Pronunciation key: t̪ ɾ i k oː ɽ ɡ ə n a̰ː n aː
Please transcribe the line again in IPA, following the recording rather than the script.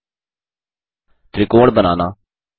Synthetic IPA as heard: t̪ ɾ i k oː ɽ b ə n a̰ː n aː